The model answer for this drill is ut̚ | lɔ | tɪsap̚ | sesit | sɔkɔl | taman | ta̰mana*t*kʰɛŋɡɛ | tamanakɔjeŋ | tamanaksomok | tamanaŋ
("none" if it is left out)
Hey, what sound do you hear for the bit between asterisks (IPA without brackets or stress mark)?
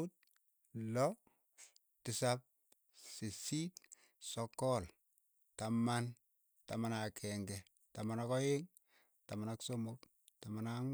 none